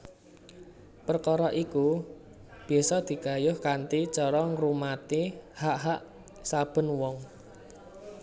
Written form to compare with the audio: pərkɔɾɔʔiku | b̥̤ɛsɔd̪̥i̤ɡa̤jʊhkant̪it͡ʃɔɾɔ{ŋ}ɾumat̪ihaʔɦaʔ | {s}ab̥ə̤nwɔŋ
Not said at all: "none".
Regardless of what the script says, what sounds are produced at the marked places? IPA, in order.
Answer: ŋ, s

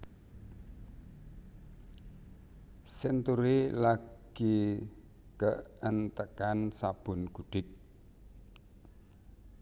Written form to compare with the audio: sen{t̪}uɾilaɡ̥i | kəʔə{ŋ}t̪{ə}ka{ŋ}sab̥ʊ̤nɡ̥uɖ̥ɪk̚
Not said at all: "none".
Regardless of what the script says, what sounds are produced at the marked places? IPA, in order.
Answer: t̪, n, ə, n

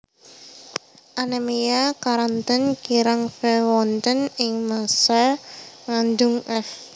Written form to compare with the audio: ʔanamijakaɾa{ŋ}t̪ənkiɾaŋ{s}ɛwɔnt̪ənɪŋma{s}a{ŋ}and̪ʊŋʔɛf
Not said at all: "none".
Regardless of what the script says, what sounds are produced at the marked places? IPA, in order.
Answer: n, f, s, ŋ

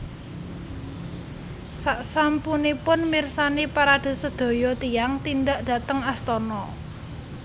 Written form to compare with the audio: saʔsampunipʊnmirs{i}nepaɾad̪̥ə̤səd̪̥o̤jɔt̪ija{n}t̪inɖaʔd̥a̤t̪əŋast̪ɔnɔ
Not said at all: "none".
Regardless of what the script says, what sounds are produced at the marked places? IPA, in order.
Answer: a, ŋ

